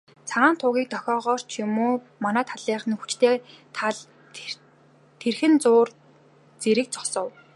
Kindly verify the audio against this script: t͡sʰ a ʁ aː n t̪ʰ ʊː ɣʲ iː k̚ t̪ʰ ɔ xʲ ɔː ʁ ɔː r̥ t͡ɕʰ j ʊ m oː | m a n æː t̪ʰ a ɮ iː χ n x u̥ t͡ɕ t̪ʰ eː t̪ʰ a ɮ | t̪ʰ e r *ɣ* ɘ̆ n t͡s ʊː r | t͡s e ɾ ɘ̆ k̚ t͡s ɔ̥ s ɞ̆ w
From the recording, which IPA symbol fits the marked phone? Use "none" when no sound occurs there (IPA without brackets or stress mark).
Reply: x